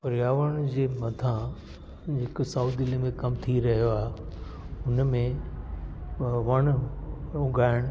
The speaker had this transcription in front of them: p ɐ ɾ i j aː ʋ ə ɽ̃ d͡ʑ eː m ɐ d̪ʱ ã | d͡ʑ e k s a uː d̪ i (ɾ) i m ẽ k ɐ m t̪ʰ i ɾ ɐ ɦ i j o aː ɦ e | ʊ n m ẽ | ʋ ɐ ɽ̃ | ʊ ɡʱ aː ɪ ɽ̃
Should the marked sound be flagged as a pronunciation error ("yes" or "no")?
yes